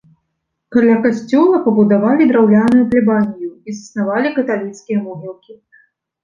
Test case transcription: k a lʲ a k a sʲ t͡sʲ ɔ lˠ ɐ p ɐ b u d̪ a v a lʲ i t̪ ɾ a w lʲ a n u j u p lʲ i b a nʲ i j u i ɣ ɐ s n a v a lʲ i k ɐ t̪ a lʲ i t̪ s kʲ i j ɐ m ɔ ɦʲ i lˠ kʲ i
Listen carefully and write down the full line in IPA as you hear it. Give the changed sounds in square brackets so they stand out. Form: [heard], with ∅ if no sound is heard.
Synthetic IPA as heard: k a lʲ a k a sʲ t͡sʲ ɔ lˠ ɐ p ɐ b u d̪ a v a lʲ i [d̪] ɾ a w lʲ a n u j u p lʲ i b a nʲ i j u i [z] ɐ s n a v a lʲ i k ɐ t̪ a lʲ i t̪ s kʲ i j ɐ m ɔ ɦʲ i lˠ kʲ i

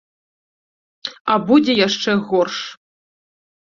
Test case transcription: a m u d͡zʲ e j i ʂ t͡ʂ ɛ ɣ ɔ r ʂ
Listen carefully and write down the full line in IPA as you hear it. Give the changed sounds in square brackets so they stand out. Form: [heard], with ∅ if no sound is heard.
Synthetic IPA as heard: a [b] u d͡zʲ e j [a] ʂ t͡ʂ ɛ ɣ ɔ r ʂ

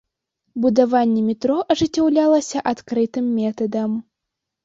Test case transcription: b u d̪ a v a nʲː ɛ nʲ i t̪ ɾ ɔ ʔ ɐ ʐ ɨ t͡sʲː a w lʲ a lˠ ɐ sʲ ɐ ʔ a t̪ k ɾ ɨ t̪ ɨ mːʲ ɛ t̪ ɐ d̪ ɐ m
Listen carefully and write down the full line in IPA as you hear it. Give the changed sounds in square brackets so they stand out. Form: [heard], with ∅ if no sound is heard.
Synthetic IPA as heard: b u d̪ a v a nʲː ɛ [mʲ] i t̪ ɾ ɔ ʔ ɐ ʐ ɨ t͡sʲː a w lʲ a lˠ ɐ sʲ ɐ ʔ a t̪ k ɾ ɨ t̪ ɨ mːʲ ɛ t̪ ɐ d̪ ɐ m

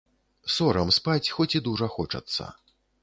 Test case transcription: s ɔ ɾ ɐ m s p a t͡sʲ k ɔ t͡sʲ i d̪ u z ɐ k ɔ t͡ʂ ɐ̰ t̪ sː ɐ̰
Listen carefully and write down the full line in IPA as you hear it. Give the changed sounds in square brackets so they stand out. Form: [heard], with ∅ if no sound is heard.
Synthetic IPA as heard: s ɔ ɾ ɐ m s p a t͡sʲ [x] ɔ t͡sʲ i d̪ u [ʐ] ɐ [x] ɔ t͡ʂ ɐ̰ t̪ sː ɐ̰

